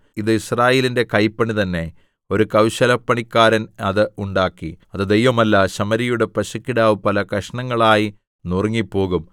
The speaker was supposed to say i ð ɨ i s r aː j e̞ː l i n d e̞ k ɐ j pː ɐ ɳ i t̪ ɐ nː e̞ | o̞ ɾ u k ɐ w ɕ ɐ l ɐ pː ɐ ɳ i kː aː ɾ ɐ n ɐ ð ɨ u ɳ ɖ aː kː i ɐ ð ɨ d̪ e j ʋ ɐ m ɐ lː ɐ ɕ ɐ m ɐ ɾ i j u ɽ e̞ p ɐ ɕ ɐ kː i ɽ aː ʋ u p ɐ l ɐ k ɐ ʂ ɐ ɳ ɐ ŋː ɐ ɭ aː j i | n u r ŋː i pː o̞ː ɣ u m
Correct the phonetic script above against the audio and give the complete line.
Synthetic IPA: i ð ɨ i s r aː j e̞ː l i n d e̞ k ɐ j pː ɐ ɳ i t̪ ɐ nː e̞ | o̞ ɾ u k ɐ w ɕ ɐ l ɐ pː ɐ ɳ i kː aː ɾ ɐ n ɐ ð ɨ u ɳ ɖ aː kː i ɐ ð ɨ d̪ e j ʋ ɐ m ɐ lː ɐ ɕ ɐ m ɐ ɾ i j u ɽ e̞ p ɐ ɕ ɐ kː i ɽ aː ʋ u p ɐ l ɐ k ɐ ʂ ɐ ɳ ɐ ŋː ɐ ɭ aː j i | n u r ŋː i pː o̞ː ɣ u m